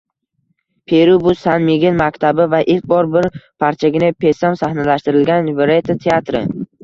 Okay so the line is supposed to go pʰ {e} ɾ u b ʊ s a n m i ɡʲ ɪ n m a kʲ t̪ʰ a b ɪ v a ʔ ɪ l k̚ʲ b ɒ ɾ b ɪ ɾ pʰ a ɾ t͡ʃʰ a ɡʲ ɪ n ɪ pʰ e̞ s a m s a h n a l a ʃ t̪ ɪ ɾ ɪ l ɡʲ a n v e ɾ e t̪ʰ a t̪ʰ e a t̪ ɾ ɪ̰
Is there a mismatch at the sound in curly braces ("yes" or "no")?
no